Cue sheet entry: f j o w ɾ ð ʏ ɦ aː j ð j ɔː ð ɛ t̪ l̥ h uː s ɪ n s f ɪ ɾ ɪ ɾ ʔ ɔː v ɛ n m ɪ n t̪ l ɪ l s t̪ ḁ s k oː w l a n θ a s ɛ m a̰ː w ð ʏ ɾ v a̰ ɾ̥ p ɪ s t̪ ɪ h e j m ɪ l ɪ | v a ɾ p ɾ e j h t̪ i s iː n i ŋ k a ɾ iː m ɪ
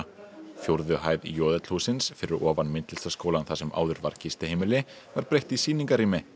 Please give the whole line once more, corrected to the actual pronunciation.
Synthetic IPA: f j o w ɾ ð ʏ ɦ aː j ð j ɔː ð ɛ t̪ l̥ h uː s ɪ n s f ɪ ɾ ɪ ɾ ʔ ɔː v a n m ɪ n t̪ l ɪ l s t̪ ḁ s k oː w l a n θ a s ɛ m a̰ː w ð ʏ ɾ v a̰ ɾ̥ c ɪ s t̪ ɪ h e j m ɪ l ɪ | v a ɾ p ɾ e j h t̪ i s iː n i ŋ k a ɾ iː m ɪ